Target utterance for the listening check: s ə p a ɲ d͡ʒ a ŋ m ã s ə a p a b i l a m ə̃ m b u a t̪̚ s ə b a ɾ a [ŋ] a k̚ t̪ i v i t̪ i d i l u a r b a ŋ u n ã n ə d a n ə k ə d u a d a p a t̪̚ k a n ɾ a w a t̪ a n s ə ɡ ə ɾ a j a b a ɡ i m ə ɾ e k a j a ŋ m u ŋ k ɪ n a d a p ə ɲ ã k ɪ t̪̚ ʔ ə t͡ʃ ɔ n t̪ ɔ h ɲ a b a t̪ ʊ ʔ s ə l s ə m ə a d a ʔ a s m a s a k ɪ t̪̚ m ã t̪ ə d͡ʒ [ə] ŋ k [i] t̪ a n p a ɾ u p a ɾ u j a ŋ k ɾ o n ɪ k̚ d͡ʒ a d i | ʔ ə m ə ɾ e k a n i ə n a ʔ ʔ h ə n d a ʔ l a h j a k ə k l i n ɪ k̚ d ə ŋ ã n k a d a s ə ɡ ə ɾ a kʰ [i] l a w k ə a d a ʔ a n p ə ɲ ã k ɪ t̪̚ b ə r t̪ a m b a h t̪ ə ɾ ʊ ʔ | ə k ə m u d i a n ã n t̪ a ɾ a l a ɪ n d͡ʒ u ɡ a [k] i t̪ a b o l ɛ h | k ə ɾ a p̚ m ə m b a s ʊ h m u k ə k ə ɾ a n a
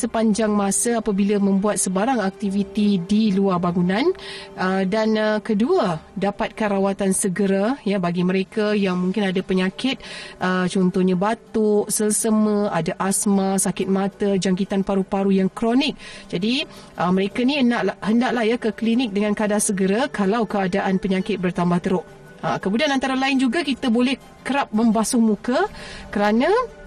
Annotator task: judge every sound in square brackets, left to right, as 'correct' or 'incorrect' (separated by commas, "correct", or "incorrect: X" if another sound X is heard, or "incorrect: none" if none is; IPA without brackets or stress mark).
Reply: correct, incorrect: a, correct, incorrect: a, correct